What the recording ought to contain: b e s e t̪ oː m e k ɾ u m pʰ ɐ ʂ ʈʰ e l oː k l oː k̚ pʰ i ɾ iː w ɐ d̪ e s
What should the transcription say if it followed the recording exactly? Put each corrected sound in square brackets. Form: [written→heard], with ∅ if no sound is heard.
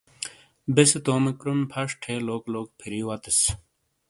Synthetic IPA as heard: b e s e t̪ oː m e k ɾ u m pʰ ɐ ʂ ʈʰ e l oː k l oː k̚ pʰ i ɾ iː w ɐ [d̪→t̪] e s